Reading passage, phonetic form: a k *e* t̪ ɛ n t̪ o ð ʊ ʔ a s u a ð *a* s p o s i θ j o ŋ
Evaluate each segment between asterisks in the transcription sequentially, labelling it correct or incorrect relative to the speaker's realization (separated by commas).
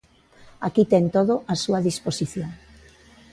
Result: incorrect, incorrect